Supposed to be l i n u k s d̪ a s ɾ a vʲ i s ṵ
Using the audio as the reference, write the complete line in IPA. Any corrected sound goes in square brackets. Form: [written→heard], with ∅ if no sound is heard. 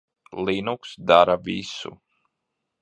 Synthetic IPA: l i n u k s d̪ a [s→∅] ɾ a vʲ i s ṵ